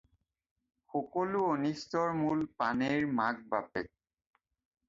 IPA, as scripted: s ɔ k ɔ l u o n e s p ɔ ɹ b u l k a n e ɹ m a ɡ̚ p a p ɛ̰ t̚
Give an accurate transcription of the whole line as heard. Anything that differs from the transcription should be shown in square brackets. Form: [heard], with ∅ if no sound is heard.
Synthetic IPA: [x] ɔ k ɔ l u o n [i] s [t] ɔ ɹ [m] u l [p] a n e ɹ m a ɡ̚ [b] a p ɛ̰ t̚